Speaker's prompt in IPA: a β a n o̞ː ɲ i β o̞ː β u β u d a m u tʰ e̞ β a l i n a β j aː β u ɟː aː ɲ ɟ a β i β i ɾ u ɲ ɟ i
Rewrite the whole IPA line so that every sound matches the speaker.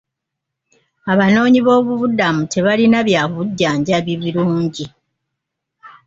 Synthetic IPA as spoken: a β a n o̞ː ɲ i β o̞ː β u β u d a m u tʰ e̞ β a l i n a β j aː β u ɟː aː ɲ ɟ a β i β i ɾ uː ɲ ɟ i